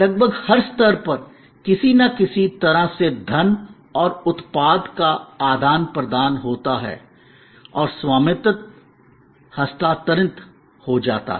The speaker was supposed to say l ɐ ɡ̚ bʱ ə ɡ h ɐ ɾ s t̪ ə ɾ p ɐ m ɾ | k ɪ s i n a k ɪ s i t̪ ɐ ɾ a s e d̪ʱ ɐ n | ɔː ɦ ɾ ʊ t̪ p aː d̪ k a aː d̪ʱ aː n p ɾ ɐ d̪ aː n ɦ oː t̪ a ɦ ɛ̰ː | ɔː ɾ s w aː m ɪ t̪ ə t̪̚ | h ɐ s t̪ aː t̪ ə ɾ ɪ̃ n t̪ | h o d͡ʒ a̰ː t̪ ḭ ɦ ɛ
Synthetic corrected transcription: l ɐ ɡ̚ bʱ ə ɡ h ɐ ɾ s t̪ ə ɾ p ɐ ɾ | k ɪ s i n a k ɪ s i t̪ ɐ ɾ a s e d̪ʱ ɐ n | ɔː ɾ ʊ t̪ p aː d̪ k a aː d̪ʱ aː n p ɾ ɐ d̪ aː n ɦ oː t̪ a ɦ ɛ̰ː | ɔː ɾ s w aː m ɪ t̪ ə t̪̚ | h ɐ s t̪ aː t̪ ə ɾ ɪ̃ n t̪ | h o d͡ʒ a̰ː t̪ a̰ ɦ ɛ

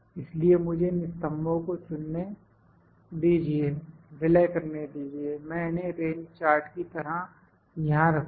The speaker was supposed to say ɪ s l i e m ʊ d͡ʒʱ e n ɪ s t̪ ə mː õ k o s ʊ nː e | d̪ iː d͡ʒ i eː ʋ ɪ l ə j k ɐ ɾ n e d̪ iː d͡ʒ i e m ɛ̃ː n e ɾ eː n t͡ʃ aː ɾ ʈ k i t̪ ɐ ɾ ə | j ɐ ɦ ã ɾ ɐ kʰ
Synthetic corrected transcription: ɪ s l i e m ʊ d͡ʒʱ e n ɪ s t̪ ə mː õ k o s ʊ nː e | d̪ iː d͡ʒ i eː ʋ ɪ l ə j k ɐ ɾ n e d̪ iː d͡ʒ i e m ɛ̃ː n e ɾ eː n t͡ʃ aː ɾ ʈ k i t̪ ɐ ɾ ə | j ɐ ɦ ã ɾ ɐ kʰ

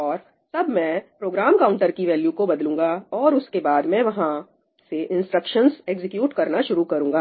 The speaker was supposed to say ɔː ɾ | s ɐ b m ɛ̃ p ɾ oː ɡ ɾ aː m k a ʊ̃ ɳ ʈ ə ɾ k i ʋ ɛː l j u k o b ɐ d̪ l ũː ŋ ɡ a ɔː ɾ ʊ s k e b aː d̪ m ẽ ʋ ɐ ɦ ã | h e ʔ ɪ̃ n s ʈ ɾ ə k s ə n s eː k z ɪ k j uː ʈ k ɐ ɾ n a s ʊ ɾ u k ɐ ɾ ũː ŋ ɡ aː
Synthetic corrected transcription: ɔː ɾ | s ɐ b m ɛ̃ p ɾ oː ɡ ɾ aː m k a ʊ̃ ɳ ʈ ə ɾ k i ʋ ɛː l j u k o b ɐ d̪ l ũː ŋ ɡ a ɔː ɾ ʊ s k e b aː d̪ m ɛ̃ ʋ ɐ ɦ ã | s e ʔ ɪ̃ n s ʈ ɾ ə k ʃ ə n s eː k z ɪ k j uː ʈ k ɐ ɾ n a ʃ ʊ ɾ u k ɐ ɾ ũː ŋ ɡ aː

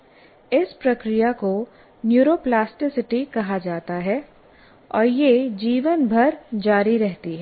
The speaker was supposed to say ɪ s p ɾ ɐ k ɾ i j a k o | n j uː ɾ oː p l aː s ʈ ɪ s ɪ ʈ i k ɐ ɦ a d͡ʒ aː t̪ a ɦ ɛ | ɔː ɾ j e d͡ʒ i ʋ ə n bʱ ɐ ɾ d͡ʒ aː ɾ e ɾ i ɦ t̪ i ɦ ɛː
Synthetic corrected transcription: ɪ s p ɾ ɐ k ɾ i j a k o | n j uː ɾ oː p l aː s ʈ ɪ s ɪ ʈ i k ɐ ɦ a d͡ʒ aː t̪ a ɦ ɛ | ɔː ɾ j e d͡ʒ iː ʋ ə n bʱ ɐ ɾ d͡ʒ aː ɾ i ɾ ɛ ɦ t̪ i ɦ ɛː

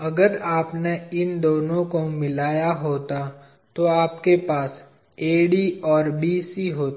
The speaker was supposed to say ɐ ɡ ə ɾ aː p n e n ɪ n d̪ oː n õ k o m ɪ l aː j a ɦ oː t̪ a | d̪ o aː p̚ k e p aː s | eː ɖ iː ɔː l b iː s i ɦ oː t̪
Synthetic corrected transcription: ɐ ɡ ə ɾ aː p n e ɪ n d̪ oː n õ k o m ɪ l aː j a ɦ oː t̪ a | t̪ o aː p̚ k e p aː s | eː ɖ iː ɔː ɾ b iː s i ɦ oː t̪

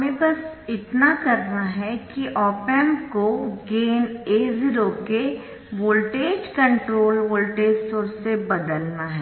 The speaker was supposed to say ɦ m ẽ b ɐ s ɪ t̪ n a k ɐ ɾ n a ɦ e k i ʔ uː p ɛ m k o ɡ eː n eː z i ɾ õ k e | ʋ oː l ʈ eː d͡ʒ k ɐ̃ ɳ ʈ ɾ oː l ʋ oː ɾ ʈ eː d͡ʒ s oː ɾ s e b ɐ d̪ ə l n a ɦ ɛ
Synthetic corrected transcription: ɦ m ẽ b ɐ s ɪ t̪ n a k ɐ ɾ n a ɦ ɛ k i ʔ ɔː p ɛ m k o ɡ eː n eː z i ɾ o k e | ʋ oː l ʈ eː d͡ʒ k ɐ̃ ɳ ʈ ɾ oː l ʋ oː l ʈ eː d͡ʒ s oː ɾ s e b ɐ d̪ ə l n a ɦ ɛ

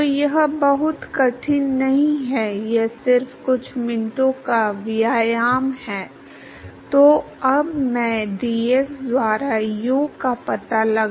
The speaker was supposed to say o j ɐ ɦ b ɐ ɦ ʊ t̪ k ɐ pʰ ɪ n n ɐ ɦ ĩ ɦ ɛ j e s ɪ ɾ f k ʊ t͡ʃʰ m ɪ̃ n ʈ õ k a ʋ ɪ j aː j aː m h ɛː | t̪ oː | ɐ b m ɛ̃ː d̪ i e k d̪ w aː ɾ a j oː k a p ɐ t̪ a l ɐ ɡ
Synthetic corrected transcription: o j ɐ ɦ b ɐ ɦ ʊ t̪ k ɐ ʈʰ ɪ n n ɐ ɦ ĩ ɦ ɛ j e s ɪ ɾ f k ʊ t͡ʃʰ m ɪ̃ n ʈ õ k a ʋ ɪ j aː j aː m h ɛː | t̪ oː | ɐ b m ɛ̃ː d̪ i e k d̪ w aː ɾ a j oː k a p ɐ t̪ a l ɐ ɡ

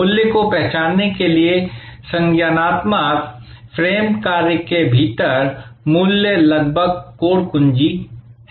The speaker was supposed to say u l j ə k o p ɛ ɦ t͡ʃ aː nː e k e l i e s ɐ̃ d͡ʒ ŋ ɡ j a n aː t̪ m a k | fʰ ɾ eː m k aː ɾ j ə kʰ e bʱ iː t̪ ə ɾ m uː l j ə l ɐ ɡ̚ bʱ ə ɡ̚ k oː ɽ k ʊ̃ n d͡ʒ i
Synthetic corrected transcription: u l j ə k o p ɛ ɦ t͡ʃ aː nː e k e l i e s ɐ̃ ŋ ɡ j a n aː t̪ m a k | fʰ ɾ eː m k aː ɾ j ə k e bʱ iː t̪ ə ɾ m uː l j ə l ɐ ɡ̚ bʱ ə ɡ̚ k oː ɽ k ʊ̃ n d͡ʒ i

